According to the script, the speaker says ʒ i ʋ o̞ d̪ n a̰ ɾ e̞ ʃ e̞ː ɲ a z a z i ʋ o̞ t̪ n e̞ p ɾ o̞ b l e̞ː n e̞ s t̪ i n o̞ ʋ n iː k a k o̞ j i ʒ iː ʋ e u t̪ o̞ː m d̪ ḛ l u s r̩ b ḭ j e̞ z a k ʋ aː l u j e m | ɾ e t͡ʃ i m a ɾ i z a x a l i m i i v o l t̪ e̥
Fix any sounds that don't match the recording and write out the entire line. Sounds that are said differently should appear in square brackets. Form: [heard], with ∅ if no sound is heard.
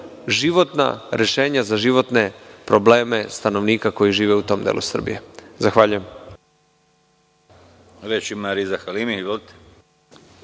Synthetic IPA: ʒ i ʋ o̞ [t̪] n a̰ ɾ e̞ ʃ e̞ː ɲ a z a [ʒ] i ʋ o̞ t̪ n e̞ p ɾ o̞ b l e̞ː [m] e̞ s t̪ [a] n o̞ ʋ n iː k a k o̞ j i ʒ iː ʋ e u t̪ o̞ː m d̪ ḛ l u s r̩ b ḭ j e̞ z a [x] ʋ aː [ʎ] u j e m | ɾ e t͡ʃ i m a ɾ i z a x a l i m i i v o l t̪ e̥

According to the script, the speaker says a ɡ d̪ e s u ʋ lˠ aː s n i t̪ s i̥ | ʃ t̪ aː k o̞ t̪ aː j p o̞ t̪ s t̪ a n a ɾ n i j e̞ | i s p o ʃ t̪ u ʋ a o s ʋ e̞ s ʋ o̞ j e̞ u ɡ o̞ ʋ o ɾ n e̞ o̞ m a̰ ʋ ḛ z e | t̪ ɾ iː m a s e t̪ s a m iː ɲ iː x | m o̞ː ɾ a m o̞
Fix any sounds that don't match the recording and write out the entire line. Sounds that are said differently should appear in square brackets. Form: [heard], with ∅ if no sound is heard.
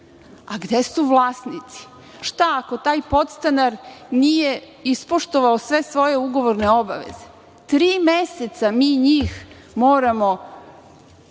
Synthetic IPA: a ɡ d̪ e s u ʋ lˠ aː s n i t̪ s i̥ | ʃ t̪ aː k o̞ t̪ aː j p o̞ t̪ s t̪ a n a ɾ n i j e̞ | i s p o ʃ t̪ [o] ʋ a o s ʋ e̞ s ʋ o̞ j e̞ u ɡ o̞ ʋ o ɾ n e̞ o̞ [b] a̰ ʋ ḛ z e | t̪ ɾ iː m [e] s e t̪ s a m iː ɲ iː x | m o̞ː ɾ a m o̞

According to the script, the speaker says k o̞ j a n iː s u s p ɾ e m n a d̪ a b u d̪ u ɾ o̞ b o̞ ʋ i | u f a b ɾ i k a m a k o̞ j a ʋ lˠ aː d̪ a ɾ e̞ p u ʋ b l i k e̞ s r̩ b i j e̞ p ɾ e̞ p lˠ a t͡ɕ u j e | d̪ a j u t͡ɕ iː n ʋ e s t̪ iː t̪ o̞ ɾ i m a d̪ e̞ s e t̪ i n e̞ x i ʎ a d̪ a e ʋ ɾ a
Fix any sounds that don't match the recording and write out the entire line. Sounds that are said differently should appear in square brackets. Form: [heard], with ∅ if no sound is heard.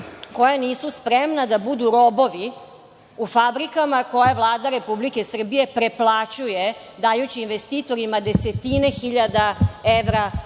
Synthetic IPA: k o̞ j a n iː s u s p ɾ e m n a d̪ a b u d̪ u ɾ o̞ b o̞ ʋ i | u f a b ɾ i k a m a k o̞ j a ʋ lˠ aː d̪ a ɾ e̞ p u [∅] b l i k e̞ s r̩ b i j e̞ p ɾ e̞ p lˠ a t͡ɕ u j e | d̪ a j u t͡ɕ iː n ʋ e s t̪ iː t̪ o̞ ɾ i m a d̪ e̞ s e t̪ i n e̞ x i ʎ a d̪ a e ʋ ɾ a

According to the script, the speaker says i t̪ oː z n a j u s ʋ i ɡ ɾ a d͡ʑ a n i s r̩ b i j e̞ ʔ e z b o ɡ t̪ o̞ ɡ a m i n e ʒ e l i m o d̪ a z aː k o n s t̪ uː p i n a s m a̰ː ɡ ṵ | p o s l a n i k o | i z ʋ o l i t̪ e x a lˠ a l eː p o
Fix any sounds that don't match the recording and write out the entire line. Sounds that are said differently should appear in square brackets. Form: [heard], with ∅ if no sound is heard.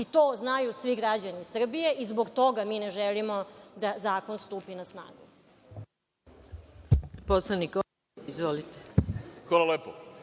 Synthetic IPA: i t̪ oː z n a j u s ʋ i ɡ ɾ a d͡ʑ a n i s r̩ b i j e̞ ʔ [i] z b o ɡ t̪ o̞ ɡ a m i n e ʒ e l i m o d̪ a z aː k o n s t̪ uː p i n a s [n] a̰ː ɡ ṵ | p o s l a n i k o | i z ʋ o l i t̪ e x a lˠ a l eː p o

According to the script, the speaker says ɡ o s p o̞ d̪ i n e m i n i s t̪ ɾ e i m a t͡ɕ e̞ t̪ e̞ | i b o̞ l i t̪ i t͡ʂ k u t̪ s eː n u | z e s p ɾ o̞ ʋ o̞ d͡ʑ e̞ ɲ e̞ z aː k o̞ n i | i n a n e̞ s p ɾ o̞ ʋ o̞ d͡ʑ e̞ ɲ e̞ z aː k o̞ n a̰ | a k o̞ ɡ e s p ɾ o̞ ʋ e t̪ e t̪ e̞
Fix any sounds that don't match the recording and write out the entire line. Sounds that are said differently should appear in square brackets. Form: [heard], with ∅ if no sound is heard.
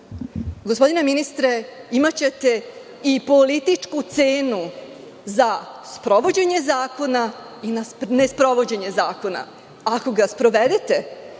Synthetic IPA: ɡ o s p o̞ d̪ i n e m i n i s t̪ ɾ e i m a t͡ɕ e̞ t̪ e̞ | i [p] o̞ l i t̪ i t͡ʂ k u t̪ s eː n u | z [a] s p ɾ o̞ ʋ o̞ d͡ʑ e̞ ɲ e̞ z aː k o̞ n [a] | i n a n e̞ s p ɾ o̞ ʋ o̞ d͡ʑ e̞ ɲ e̞ z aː k o̞ n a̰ | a k o̞ ɡ [a] s p ɾ o̞ ʋ e [d̪] e t̪ e̞

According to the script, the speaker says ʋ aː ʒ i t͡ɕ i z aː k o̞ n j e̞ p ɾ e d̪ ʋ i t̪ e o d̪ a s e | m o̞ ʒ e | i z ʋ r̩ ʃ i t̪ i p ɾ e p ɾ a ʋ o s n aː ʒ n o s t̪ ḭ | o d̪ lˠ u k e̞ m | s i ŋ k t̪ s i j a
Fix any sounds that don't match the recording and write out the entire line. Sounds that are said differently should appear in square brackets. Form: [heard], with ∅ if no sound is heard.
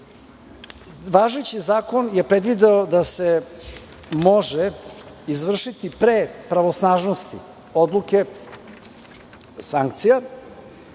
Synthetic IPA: ʋ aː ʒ [e] t͡ɕ i z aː k o̞ n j e̞ p ɾ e d̪ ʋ i [d̪] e o d̪ a s e | m o̞ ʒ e | i z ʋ r̩ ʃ i t̪ i p ɾ e p ɾ a ʋ o s n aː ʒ n o s t̪ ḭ | o d̪ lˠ u k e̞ [∅] | s [a] ŋ k t̪ s i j a

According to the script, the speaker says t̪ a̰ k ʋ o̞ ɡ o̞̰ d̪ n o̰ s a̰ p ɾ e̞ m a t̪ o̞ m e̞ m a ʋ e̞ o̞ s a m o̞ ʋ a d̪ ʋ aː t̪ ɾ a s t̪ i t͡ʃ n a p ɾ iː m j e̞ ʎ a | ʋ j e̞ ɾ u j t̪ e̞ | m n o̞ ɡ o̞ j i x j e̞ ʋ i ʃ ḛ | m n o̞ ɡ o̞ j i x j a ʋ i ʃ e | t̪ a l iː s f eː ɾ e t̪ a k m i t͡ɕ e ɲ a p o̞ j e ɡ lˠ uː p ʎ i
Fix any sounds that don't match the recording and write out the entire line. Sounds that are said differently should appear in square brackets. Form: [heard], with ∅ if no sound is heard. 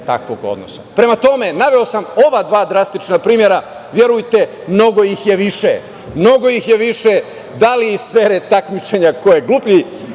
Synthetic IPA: t̪ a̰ k ʋ o̞ ɡ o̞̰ d̪ n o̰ s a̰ p ɾ e̞ m a t̪ o̞ m e̞ [n] a ʋ e̞ o̞ s a m o̞ ʋ a d̪ ʋ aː [d̪] ɾ a s t̪ i t͡ʃ n a p ɾ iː m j e̞ [ɾ] a | ʋ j e̞ ɾ u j t̪ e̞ | m n o̞ ɡ o̞ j i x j e̞ ʋ i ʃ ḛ | m n o̞ ɡ o̞ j i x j [e] ʋ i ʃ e | [d̪] a l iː s f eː ɾ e t̪ a k m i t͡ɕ e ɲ a [k] o̞ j e ɡ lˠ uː p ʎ i

